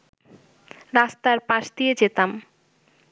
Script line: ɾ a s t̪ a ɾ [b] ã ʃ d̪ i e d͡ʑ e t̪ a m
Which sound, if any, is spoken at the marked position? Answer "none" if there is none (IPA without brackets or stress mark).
p